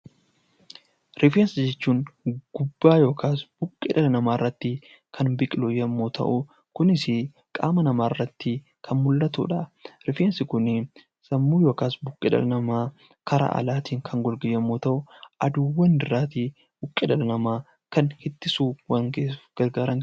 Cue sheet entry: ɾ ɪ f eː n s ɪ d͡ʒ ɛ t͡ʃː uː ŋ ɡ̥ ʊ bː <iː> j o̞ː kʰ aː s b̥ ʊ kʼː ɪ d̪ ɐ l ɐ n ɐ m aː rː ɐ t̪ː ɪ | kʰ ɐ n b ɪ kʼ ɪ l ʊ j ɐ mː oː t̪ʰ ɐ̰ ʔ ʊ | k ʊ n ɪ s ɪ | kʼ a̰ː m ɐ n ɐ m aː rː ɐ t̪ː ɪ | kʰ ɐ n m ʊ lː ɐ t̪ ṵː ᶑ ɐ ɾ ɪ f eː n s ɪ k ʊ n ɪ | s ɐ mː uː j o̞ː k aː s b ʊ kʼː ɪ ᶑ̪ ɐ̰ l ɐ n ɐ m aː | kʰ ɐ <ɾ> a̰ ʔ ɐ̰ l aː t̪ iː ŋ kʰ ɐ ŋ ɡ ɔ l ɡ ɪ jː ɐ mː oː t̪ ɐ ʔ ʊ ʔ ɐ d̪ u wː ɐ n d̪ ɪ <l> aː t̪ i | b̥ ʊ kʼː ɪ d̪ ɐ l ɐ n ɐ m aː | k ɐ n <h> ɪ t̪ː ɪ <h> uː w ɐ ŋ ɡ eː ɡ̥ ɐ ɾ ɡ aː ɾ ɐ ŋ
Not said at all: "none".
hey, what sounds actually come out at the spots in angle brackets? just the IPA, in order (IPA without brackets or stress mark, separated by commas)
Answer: aː, ɾ, ɾ, h, s